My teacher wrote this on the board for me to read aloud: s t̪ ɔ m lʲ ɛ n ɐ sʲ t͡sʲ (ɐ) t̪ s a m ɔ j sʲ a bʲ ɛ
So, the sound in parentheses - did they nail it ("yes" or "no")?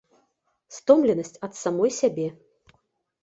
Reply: yes